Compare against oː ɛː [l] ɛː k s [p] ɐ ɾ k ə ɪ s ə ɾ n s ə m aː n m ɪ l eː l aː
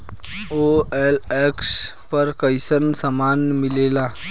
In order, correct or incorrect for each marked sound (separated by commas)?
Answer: correct, correct